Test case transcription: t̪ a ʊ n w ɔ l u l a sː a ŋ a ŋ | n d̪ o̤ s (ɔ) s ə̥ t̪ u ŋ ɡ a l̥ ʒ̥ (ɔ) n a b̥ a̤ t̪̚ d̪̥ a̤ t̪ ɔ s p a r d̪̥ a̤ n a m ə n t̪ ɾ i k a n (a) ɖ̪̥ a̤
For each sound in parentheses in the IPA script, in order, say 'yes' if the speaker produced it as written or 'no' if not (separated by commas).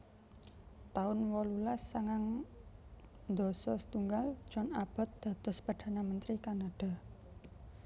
yes, yes, yes